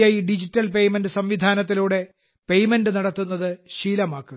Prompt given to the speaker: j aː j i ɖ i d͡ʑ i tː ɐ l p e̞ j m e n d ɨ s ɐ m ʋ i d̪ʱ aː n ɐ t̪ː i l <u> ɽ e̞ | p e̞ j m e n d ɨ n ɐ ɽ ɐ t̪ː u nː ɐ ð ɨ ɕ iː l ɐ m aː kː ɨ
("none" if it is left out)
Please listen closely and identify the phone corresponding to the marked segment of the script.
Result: uː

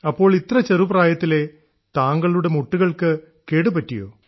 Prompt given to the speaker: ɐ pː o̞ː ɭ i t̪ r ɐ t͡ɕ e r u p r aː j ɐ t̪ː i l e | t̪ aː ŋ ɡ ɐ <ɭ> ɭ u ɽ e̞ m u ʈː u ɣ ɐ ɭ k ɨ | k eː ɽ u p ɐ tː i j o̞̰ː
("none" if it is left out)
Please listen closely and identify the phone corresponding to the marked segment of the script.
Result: ɭ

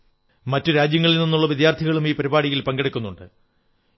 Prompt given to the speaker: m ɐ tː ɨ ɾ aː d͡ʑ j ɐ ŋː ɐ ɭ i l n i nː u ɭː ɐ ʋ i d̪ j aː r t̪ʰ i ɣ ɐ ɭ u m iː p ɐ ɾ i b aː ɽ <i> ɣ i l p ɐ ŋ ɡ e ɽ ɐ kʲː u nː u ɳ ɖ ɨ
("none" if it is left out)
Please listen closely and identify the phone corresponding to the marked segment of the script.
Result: i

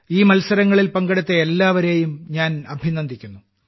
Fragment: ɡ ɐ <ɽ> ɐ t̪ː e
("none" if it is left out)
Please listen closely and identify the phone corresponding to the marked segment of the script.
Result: ɽ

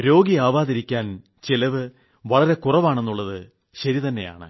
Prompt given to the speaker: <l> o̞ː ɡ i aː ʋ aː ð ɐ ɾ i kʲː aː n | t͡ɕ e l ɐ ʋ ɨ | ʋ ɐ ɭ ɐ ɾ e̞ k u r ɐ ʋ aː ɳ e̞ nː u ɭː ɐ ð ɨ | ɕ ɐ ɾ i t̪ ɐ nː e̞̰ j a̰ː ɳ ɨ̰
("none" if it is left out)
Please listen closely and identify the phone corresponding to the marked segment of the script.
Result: ɾ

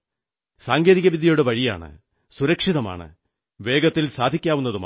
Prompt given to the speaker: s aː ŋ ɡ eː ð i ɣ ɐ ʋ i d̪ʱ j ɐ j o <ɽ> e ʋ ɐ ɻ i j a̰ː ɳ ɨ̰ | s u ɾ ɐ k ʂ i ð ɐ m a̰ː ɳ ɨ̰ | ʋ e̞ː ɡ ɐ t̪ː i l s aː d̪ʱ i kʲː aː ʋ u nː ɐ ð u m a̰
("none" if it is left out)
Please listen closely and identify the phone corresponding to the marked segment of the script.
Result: ɽ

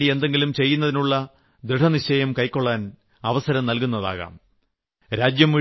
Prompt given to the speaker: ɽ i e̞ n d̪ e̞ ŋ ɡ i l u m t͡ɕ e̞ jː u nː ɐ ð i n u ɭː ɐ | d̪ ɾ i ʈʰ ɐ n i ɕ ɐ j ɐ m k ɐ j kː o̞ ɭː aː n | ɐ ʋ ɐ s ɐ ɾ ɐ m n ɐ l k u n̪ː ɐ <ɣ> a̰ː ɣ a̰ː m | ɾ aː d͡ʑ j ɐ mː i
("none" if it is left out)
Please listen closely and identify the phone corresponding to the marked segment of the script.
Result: ð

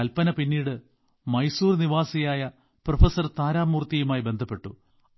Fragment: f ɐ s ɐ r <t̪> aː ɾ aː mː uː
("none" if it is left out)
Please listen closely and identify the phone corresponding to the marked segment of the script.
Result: t̪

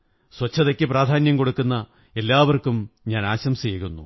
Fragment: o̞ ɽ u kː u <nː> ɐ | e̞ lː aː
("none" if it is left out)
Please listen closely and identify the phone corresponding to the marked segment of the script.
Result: nː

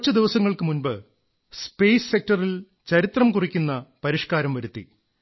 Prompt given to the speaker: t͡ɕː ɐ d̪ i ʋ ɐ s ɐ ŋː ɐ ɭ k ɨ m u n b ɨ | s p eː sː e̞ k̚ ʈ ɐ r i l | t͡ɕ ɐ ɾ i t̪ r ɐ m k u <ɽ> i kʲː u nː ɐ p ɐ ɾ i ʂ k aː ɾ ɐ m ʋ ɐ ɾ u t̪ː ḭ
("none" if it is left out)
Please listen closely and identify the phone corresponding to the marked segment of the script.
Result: r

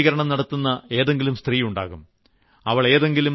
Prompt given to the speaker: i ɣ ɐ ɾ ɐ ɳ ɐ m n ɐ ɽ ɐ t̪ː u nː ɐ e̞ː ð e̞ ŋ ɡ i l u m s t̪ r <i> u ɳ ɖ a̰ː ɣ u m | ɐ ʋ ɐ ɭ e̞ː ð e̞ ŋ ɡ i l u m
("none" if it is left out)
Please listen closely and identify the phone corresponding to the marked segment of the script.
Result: iː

